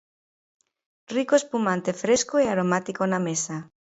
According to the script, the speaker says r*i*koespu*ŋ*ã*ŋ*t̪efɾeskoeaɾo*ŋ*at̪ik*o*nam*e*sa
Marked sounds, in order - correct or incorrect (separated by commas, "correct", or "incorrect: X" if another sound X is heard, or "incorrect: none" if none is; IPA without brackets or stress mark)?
correct, incorrect: m, incorrect: n, incorrect: m, correct, correct